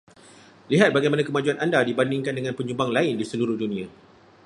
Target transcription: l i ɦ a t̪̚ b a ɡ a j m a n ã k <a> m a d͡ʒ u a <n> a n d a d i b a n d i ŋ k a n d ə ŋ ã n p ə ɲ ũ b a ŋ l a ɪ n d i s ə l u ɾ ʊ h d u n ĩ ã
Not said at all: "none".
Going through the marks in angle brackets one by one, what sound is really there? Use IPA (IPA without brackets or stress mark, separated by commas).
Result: ə, n